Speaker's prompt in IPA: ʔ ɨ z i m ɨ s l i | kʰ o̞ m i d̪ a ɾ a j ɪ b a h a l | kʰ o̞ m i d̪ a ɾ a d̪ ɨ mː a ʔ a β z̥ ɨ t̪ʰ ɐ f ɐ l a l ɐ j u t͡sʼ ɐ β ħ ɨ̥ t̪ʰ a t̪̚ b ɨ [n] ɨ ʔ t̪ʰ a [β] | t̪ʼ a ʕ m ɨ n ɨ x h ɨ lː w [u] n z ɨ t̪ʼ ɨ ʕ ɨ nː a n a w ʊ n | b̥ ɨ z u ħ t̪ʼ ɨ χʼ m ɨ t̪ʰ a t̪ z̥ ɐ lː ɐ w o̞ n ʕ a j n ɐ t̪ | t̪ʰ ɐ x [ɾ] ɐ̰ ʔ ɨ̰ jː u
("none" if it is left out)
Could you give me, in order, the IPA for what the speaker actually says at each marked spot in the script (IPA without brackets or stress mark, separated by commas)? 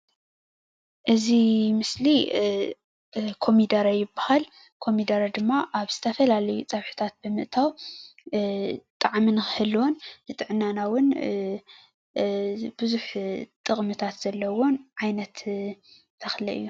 m, w, o, l